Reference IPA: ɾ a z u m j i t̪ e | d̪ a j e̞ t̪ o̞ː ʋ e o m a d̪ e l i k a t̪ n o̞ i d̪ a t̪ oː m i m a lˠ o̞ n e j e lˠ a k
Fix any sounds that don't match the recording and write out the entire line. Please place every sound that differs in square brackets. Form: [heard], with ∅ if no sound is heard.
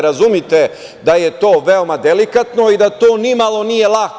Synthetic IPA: ɾ a z u m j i t̪ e | d̪ a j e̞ t̪ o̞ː ʋ e o m a d̪ e l i k a t̪ n o̞ i d̪ a t̪ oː [n] i m a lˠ o̞ n [i] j e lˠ a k